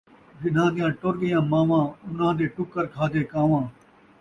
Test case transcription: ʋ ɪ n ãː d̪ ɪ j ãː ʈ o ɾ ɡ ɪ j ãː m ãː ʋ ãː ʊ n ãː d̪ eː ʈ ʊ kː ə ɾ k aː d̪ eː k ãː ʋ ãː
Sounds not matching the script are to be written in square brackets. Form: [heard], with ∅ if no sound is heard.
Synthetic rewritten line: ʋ ɪ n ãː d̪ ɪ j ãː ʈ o ɾ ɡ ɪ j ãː m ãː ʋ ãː ʊ n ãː d̪ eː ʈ ʊ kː ə ɾ [kʰ] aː d̪ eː k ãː ʋ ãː

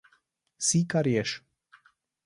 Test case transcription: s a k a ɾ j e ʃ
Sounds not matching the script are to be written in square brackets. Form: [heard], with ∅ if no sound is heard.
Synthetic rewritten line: s [i] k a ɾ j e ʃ

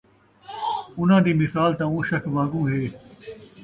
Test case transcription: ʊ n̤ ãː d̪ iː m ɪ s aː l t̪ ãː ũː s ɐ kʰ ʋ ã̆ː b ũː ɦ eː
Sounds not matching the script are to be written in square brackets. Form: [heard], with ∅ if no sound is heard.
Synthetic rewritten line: ʊ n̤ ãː d̪ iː m ɪ s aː l t̪ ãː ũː [ʃ] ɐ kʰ ʋ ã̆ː [ɡ] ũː ɦ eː

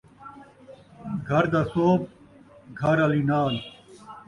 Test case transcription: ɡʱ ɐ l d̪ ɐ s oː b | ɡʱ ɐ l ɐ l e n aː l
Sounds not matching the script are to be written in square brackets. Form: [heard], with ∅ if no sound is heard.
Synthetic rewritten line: ɡʱ ɐ [ɾ] d̪ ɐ s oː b | ɡʱ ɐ [ɾ] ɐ l [i] n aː l

